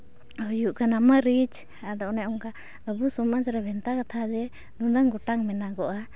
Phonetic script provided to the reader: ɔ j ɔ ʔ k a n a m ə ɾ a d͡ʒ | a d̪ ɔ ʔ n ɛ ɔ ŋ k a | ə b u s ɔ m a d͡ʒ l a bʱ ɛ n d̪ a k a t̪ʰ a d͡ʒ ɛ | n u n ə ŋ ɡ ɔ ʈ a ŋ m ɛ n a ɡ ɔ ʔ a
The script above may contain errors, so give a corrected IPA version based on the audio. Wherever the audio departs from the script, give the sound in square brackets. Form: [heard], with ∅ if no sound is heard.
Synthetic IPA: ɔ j [u] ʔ k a n a m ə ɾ [i] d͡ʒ | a d̪ ɔ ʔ n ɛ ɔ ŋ k a | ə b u s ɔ m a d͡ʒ [ɾ] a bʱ ɛ n [t̪] a k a t̪ʰ a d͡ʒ ɛ | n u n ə ŋ ɡ ɔ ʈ a ŋ m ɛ n a ɡ ɔ ʔ a